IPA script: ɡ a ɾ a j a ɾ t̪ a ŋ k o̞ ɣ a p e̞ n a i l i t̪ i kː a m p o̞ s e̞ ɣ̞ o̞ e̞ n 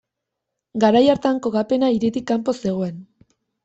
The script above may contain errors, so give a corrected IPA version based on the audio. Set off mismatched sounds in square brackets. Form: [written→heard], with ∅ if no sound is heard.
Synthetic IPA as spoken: ɡ a ɾ a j a ɾ t̪ a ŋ k o̞ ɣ a p e̞ n a i [l→ɾ] i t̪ i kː a m p o̞ s e̞ ɣ̞ o̞ e̞ n